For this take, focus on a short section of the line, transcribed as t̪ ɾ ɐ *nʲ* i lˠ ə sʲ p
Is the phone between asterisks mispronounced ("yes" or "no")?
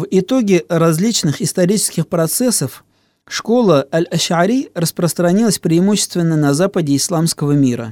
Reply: no